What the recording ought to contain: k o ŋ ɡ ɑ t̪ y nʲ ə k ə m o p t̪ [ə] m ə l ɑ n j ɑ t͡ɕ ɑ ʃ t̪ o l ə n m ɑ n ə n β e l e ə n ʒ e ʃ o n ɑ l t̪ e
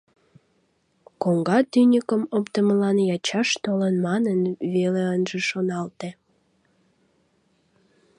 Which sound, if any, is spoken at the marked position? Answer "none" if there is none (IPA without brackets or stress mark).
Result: ə